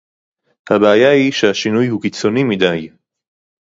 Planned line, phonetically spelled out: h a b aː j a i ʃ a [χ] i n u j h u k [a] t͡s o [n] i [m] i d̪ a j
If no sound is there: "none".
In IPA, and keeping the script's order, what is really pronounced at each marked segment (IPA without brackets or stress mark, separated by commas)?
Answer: ʃ, i, n, m